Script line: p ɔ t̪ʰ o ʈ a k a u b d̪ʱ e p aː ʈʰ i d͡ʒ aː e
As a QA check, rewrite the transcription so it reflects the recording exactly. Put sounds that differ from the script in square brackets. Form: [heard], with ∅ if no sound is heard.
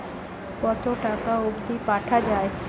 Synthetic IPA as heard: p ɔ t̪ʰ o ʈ a k a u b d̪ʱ [i] p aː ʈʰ [a] d͡ʒ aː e